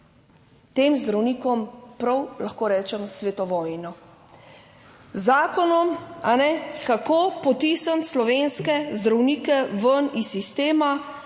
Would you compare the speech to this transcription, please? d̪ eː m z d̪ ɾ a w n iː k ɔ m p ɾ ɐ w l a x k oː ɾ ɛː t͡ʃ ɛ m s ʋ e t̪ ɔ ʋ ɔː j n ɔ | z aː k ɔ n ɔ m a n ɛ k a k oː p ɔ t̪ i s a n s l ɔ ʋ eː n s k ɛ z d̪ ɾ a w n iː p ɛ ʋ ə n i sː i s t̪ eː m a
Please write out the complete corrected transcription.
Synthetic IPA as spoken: t̪ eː m z d̪ ɾ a w n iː k ɔ m p ɾ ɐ w l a x k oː ɾ ɛː t͡ʃ ɛ m s ʋ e t̪ ɔ ʋ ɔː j n ɔ | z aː k ɔ n ɔ m a n ɛ k a k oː p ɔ t̪ i s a n s l ɔ ʋ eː n s k ɛ z d̪ ɾ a w n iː k ɛ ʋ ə n i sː i s t̪ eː m a